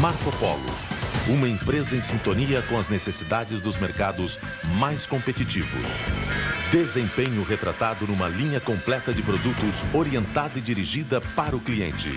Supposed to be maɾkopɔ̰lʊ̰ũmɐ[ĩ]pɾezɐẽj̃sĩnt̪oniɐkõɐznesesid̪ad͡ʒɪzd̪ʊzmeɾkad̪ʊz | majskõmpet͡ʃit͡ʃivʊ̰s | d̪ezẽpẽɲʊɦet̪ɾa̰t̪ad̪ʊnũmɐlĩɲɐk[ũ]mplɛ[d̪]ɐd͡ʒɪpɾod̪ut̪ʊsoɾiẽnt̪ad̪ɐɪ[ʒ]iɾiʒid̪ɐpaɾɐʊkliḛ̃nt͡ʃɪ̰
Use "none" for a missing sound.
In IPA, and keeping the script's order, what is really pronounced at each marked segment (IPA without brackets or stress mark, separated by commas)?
ẽ, õ, t̪, d͡ʒ